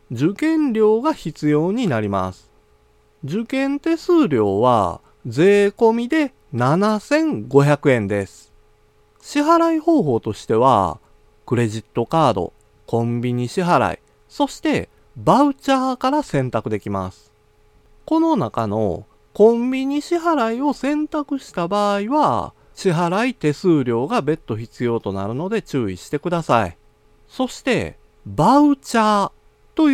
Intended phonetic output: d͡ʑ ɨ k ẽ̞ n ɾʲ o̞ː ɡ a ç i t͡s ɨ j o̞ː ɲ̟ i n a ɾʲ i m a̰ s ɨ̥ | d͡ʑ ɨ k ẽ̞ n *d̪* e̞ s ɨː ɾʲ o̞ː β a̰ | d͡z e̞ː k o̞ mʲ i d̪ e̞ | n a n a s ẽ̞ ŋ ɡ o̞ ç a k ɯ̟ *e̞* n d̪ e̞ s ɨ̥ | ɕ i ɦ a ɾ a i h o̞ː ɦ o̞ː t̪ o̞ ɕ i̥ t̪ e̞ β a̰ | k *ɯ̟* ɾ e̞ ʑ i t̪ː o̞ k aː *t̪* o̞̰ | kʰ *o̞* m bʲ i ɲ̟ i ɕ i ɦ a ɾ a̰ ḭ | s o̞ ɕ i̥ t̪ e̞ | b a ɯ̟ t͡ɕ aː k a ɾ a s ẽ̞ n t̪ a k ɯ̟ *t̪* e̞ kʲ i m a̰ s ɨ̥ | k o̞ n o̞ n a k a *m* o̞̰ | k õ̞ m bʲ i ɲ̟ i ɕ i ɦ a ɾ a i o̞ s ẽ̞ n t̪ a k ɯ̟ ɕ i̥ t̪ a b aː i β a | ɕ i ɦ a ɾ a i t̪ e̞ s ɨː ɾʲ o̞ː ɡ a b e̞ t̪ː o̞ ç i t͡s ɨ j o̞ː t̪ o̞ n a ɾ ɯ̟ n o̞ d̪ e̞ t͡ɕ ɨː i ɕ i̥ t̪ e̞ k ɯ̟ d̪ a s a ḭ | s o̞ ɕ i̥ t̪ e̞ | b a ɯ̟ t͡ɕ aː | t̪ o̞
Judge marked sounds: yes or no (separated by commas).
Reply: no, no, yes, no, no, no, no